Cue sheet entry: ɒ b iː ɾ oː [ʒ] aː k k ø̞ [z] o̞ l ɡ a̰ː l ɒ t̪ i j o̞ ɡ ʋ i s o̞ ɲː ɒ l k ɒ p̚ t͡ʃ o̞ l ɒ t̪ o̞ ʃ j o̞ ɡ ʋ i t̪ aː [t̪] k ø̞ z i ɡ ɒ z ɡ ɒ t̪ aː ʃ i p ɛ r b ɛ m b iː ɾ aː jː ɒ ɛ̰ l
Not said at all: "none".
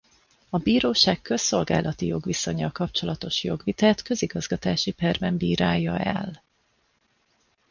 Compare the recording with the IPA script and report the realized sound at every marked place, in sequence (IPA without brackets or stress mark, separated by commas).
ʃ, s, t̪